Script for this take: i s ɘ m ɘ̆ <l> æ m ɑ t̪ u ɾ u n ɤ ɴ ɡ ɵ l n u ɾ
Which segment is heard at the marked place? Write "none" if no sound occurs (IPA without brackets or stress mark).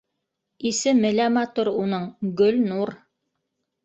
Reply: l